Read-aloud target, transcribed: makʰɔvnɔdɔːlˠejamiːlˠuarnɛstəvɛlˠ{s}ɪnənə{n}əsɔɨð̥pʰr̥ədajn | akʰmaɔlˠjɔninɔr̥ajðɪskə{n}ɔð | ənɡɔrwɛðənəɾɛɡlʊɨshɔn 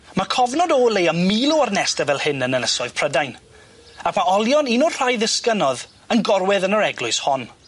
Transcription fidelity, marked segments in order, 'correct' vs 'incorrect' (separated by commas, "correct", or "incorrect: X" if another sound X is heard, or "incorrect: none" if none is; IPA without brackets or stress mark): incorrect: h, correct, correct